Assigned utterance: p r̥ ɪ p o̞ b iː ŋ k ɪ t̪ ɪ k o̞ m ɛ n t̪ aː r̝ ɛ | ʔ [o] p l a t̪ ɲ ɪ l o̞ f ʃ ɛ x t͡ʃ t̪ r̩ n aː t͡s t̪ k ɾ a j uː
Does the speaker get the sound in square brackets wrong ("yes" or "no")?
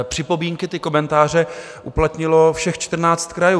yes